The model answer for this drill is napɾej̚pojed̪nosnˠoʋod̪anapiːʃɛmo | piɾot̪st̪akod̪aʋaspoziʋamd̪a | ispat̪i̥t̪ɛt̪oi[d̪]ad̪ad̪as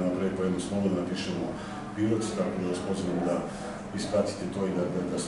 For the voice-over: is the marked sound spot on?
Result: yes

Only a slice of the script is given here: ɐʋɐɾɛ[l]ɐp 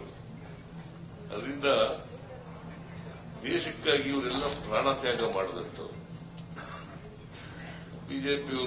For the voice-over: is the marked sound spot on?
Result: no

